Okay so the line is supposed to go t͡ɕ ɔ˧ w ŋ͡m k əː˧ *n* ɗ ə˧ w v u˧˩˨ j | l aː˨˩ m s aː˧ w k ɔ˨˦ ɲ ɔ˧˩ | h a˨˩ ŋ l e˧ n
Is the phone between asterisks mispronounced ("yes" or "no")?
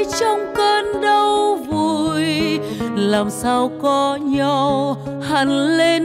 no